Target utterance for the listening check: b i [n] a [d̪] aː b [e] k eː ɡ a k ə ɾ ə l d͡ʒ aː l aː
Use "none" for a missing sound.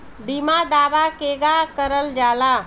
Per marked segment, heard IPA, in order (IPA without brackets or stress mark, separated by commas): m, d̪, a